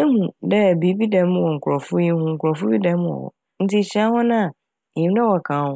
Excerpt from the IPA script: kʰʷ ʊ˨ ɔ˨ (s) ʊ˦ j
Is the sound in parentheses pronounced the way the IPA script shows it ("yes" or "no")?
no